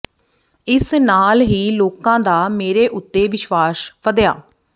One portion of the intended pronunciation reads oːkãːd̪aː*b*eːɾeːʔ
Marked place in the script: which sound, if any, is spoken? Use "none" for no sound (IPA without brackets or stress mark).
m